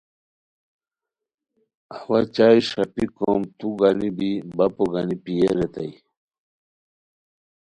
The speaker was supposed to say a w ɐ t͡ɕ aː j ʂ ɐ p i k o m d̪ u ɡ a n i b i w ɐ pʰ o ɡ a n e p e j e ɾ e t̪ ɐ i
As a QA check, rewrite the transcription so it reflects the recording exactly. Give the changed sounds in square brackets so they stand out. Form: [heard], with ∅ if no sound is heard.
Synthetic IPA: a w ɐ t͡ɕ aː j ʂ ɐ p i k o m [t̪] u ɡ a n i b i [b] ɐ [p] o ɡ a n [i] p [i] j e ɾ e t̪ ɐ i